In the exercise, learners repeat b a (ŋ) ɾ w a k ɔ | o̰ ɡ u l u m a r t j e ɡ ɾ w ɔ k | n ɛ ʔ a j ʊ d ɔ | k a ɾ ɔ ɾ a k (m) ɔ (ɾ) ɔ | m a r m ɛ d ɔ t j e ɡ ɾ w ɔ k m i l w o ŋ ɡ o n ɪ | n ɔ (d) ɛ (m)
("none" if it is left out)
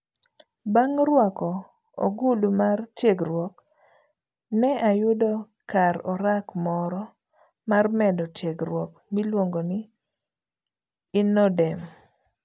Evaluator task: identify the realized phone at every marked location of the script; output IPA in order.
ŋ, m, ɾ, d, m

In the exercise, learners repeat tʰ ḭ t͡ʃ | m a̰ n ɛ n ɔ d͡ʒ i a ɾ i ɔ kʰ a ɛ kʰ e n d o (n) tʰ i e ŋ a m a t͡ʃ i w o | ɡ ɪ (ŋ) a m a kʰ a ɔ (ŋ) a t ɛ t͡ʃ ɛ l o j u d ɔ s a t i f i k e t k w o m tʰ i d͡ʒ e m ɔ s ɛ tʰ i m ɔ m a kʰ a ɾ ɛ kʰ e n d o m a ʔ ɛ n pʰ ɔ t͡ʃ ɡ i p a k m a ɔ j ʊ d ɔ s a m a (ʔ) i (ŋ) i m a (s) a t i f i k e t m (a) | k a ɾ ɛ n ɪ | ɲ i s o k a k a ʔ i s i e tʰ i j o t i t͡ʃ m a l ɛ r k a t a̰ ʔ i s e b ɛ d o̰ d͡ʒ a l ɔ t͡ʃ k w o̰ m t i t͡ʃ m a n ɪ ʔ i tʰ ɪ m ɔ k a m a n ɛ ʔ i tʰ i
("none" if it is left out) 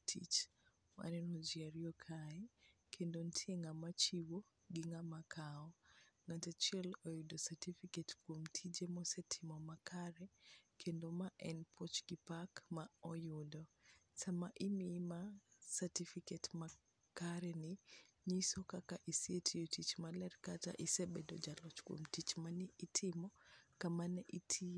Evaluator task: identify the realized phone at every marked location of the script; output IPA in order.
n, ŋ, ŋ, ʔ, m, s, a

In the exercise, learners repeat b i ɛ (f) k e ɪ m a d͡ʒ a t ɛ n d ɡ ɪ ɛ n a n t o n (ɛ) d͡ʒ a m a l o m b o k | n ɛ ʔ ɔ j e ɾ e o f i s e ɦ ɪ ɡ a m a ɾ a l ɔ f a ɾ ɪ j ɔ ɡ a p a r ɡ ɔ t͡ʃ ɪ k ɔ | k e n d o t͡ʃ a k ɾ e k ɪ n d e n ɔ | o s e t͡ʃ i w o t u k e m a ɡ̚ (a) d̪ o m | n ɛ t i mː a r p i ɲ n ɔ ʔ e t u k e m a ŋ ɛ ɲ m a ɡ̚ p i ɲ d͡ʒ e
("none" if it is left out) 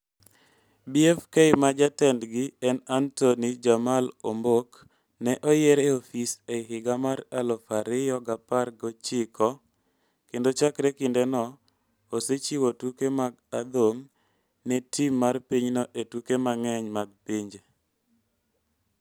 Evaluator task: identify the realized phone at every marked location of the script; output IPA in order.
f, i, a

